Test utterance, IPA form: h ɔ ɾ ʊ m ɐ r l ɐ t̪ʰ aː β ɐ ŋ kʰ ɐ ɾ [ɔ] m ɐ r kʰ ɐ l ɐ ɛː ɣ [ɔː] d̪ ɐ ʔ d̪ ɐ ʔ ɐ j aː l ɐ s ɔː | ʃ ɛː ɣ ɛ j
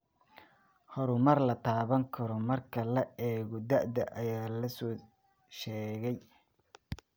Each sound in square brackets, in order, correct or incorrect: correct, incorrect

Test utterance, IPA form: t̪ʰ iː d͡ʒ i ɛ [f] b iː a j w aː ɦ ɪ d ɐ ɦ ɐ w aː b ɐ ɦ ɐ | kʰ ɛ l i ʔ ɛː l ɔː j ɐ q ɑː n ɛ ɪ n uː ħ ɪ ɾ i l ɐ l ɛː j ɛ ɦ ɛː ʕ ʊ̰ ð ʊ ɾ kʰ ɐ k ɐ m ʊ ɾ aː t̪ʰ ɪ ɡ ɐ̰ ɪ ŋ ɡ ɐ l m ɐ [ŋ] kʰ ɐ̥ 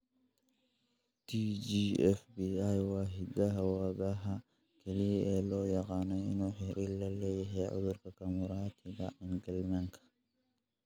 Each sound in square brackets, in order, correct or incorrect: correct, correct

